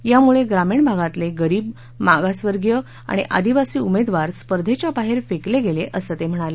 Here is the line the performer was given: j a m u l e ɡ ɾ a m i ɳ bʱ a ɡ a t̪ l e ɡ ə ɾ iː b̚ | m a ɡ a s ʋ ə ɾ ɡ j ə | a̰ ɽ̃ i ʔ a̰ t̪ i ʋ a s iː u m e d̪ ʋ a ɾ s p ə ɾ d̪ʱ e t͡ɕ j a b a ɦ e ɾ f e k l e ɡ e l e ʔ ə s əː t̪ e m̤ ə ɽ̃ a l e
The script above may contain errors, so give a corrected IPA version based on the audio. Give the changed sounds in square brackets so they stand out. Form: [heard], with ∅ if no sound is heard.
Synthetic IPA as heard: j a m u [ɭ] e ɡ ɾ a m i ɳ bʱ a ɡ a t̪ l e ɡ ə ɾ iː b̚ | m a ɡ a s ʋ ə ɾ ɡ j ə | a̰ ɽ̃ i ʔ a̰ [d̪] i ʋ a s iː u m e d̪ ʋ a ɾ s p ə ɾ d̪ʱ e t͡ɕ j a b a ɦ e ɾ f e k l e ɡ e l e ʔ ə s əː t̪ e m̤ ə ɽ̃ a l e